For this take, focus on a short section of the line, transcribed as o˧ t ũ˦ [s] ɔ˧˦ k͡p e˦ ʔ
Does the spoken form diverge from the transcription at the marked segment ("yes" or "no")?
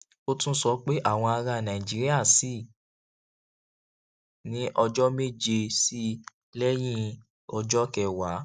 no